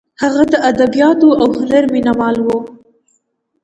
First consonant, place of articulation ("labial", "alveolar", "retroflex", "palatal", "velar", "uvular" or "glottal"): glottal